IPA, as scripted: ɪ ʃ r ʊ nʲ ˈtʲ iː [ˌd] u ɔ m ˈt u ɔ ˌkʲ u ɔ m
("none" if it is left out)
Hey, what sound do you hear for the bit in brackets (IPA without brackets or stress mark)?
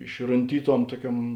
t